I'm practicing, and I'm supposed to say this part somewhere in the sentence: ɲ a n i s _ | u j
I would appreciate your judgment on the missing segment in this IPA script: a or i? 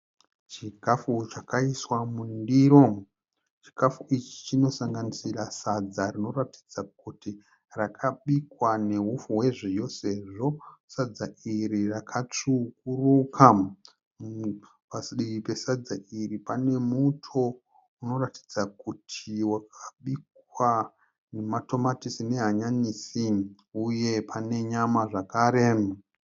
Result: i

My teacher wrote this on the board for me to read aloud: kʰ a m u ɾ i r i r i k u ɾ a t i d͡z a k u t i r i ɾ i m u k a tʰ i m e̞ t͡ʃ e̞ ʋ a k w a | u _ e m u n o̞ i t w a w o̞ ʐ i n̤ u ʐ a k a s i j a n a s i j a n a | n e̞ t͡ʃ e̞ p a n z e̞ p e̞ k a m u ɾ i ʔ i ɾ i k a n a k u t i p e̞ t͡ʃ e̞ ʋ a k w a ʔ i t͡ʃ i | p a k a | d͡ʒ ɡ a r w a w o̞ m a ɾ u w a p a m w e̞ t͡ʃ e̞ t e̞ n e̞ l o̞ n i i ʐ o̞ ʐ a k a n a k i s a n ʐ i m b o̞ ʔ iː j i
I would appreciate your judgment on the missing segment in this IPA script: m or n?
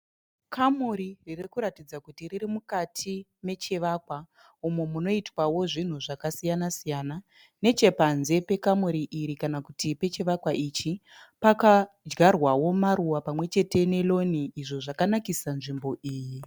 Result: m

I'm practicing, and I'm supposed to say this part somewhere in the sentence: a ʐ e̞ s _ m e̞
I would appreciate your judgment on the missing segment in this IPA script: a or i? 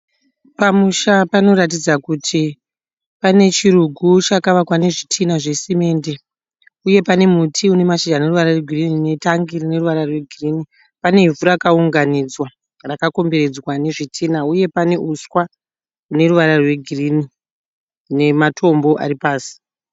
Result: i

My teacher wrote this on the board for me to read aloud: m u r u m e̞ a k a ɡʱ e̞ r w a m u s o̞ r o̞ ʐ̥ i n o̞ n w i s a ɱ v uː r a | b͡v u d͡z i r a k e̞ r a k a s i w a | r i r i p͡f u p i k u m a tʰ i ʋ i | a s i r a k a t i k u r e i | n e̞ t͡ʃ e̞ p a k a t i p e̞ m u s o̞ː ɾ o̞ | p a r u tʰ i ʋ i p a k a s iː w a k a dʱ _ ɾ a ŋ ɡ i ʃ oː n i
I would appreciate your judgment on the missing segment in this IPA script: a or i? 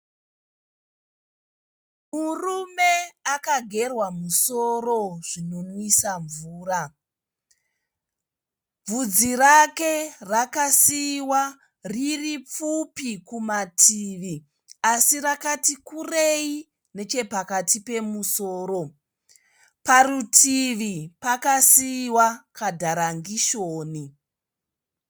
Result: a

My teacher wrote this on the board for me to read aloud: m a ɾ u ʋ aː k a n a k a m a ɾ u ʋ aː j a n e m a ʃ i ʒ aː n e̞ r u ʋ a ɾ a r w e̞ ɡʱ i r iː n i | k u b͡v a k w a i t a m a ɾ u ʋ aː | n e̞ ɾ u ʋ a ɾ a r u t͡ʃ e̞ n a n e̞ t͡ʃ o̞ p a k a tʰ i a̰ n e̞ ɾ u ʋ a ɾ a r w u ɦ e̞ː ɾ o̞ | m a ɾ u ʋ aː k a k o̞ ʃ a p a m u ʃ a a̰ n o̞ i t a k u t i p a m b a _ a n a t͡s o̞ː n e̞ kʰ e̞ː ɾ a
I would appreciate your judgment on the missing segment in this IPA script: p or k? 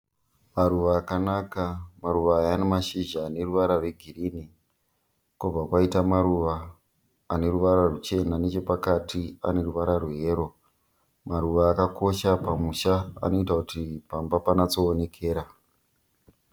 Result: p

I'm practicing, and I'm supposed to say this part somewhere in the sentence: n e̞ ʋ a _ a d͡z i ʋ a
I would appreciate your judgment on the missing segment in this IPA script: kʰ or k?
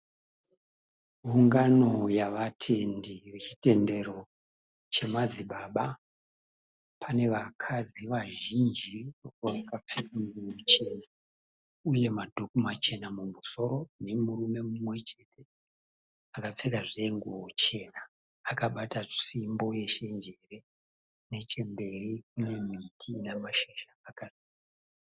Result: kʰ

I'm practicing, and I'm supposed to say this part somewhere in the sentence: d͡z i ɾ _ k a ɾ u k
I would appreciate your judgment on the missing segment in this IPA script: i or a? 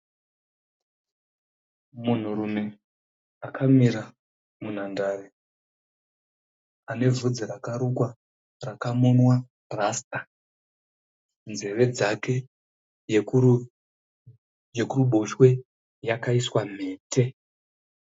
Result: a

